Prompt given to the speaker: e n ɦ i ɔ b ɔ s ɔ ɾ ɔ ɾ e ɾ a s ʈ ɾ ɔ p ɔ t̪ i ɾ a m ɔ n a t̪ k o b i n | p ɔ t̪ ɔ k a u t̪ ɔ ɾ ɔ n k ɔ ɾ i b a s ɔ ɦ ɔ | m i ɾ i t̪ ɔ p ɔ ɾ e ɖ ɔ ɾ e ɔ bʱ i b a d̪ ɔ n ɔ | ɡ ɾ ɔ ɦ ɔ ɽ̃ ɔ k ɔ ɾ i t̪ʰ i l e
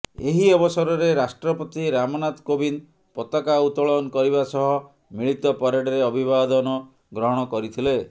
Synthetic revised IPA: e ɦ i ɔ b ɔ s ɔ ɾ ɔ ɾ e ɾ a s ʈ ɾ ɔ p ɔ t̪ i ɾ a m ɔ n a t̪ k o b i n | p ɔ t̪ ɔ k a u t̪ ɔ ɭ ɔ n k ɔ ɾ i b a s ɔ ɦ ɔ | m i ɭ i t̪ ɔ p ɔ ɾ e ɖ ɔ ɾ e ɔ bʱ i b a d̪ ɔ n ɔ | ɡ ɾ ɔ ɦ ɔ ɽ̃ ɔ k ɔ ɾ i t̪ʰ i l e